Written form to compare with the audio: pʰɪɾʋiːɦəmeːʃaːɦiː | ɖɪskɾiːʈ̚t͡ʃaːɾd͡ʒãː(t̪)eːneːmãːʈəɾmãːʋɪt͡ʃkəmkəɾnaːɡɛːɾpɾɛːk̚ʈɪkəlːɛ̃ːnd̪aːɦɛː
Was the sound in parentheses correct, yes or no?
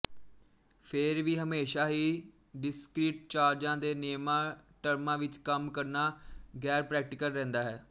no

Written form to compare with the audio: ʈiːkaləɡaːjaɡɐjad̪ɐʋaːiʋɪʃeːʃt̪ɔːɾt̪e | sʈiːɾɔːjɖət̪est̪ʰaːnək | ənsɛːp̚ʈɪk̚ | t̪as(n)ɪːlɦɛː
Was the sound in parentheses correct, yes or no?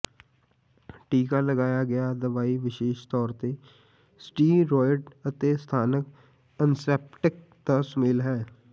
no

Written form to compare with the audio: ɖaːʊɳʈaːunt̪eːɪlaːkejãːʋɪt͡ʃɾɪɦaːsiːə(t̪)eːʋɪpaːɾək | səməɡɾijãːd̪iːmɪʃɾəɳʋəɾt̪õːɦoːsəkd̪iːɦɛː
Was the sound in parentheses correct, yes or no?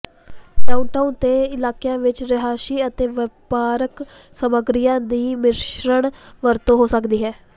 yes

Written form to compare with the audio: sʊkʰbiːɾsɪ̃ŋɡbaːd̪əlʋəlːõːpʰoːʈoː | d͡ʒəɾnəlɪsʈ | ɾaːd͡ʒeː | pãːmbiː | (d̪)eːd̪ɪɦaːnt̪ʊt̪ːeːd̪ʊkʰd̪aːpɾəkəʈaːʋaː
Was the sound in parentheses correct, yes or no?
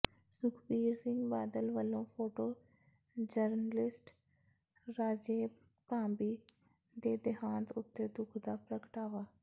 yes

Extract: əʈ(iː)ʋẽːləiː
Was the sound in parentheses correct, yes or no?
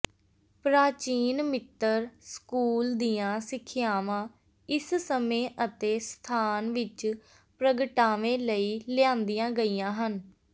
no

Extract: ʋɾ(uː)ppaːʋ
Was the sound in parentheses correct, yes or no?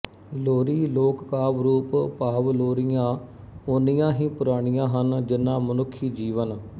yes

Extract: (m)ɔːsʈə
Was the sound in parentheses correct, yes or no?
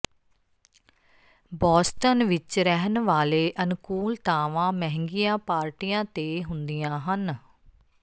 no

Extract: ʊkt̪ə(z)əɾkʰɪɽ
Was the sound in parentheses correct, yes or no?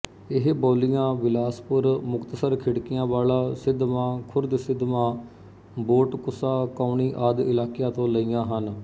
no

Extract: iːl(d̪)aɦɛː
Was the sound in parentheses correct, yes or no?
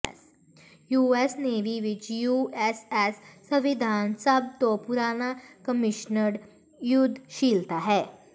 no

